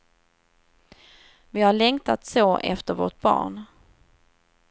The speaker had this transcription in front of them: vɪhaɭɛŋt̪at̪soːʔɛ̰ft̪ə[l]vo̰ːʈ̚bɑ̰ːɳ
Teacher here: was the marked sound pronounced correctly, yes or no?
no